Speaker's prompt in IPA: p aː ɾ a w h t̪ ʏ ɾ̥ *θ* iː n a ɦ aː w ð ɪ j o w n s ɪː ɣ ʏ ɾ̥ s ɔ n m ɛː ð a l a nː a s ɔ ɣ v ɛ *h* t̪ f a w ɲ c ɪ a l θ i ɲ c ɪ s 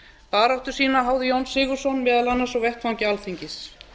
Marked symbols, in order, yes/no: no, yes

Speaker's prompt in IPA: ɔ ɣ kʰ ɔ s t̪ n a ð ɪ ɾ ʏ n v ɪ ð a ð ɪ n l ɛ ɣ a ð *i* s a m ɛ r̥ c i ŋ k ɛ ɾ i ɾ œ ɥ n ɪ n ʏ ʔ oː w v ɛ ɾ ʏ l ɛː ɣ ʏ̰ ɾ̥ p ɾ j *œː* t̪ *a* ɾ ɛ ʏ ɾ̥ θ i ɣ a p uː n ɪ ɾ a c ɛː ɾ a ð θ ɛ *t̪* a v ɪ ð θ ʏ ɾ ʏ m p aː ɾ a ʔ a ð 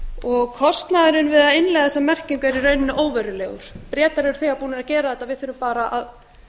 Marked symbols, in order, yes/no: no, no, yes, yes

